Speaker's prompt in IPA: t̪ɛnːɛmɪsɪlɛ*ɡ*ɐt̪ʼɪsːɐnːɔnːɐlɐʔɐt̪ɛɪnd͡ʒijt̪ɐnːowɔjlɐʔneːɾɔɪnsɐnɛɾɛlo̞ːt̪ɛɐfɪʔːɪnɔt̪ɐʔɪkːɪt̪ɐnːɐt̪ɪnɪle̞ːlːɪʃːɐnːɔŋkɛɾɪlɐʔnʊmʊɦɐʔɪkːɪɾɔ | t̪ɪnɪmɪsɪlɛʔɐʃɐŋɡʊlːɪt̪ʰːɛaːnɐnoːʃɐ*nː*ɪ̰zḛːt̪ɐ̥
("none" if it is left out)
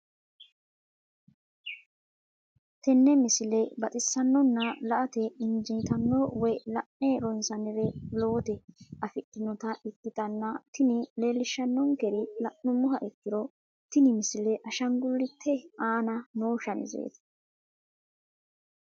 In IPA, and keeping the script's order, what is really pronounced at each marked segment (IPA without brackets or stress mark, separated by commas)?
b, n